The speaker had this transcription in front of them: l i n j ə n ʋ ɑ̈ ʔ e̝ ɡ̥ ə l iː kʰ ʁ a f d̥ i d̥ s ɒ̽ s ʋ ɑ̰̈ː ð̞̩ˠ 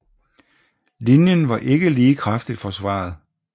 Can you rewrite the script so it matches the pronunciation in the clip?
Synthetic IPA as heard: l i n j ə n ʋ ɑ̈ ʔ e̝ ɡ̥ ə l iː kʰ ʁ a f d̥ i d̥ f ɒ̽ s ʋ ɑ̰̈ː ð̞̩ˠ